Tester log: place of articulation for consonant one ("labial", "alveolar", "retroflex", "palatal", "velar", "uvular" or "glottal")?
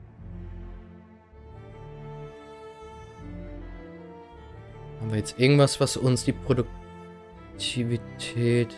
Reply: glottal